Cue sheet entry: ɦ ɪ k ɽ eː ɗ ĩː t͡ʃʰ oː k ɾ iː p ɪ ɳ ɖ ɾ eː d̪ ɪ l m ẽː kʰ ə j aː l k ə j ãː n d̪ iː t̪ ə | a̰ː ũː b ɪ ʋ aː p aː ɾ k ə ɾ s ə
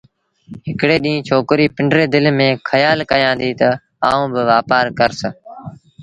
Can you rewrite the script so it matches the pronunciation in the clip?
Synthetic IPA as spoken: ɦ ɪ k ɽ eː ɗ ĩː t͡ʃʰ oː k ɾ iː p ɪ ɳ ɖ ɾ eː d̪ ɪ l m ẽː kʰ ə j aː l k ə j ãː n d̪ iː t̪ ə | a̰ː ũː b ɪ ʋ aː p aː ɾ k ə ɾ s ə